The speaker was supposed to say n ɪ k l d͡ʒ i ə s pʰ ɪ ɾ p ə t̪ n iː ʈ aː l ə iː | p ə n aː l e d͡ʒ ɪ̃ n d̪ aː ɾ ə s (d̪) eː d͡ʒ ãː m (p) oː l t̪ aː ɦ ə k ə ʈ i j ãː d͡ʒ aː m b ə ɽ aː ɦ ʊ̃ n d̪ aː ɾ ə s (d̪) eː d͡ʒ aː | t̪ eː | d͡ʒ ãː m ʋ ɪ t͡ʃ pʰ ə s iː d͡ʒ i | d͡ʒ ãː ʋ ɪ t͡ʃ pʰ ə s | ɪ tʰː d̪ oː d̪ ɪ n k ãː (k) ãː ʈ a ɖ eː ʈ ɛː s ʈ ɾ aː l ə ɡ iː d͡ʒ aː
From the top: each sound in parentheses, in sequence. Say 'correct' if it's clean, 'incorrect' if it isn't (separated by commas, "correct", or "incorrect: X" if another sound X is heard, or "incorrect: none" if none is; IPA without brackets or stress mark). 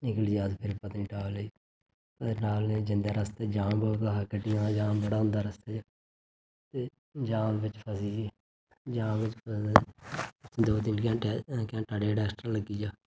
incorrect: t̪, incorrect: b, incorrect: t̪, correct